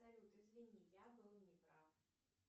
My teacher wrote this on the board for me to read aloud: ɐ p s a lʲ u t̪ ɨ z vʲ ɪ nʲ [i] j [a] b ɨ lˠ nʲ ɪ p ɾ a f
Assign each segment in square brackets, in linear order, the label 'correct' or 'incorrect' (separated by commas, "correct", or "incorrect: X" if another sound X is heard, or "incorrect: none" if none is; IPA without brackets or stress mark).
correct, correct